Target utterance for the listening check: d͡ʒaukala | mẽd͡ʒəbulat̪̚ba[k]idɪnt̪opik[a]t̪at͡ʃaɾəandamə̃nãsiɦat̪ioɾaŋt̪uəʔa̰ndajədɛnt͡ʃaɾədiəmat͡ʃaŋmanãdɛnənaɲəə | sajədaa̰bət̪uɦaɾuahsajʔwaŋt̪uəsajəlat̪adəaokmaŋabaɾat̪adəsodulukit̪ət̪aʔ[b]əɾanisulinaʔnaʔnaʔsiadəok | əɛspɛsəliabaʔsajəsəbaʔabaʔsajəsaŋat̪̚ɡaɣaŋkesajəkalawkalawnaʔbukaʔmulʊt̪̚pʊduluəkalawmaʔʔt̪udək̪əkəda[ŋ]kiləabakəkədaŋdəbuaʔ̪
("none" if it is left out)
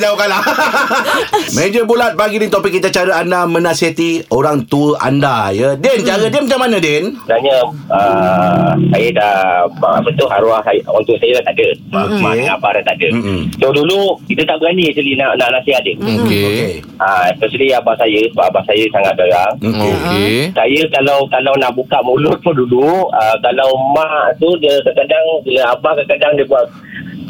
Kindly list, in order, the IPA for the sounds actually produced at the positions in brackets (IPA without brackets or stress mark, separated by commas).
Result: ɡ, i, b, ŋ